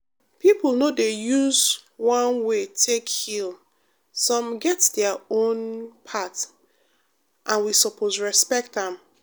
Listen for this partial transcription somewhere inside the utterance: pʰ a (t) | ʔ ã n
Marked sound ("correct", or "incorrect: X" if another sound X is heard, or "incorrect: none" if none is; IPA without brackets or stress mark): correct